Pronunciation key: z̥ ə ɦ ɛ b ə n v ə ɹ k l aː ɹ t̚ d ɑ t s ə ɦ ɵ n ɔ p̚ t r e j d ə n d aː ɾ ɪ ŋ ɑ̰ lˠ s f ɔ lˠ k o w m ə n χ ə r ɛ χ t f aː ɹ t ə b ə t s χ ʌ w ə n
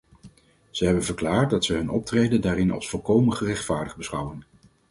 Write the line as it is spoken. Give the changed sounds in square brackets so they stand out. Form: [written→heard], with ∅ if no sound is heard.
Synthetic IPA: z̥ ə ɦ ɛ b ə n v ə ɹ k l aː ɹ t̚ d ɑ t s ə ɦ ɵ n ɔ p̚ t r e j d ə n d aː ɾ ɪ [ŋ→n] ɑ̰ lˠ s f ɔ lˠ k o w m ə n χ ə r ɛ χ t f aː ɹ [t→d] ə b ə [t→∅] s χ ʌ w ə n